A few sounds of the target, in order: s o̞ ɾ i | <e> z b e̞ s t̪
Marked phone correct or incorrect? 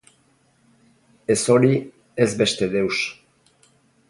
correct